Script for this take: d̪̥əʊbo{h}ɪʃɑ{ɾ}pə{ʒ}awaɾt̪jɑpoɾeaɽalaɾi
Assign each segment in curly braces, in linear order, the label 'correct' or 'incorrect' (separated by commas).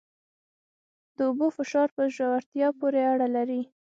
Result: incorrect, correct, correct